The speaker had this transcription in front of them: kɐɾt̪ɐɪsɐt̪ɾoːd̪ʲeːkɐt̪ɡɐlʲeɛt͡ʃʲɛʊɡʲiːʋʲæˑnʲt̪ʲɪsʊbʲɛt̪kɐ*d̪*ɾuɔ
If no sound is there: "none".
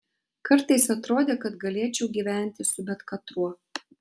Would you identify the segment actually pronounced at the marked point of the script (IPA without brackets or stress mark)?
t̪